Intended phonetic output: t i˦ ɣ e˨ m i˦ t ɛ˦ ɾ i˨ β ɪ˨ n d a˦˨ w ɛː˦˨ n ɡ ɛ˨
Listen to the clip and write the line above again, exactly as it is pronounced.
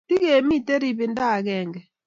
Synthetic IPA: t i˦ ɣ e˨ m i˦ t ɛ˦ ɾ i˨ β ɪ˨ n d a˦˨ ɣ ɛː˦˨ ŋ ɡ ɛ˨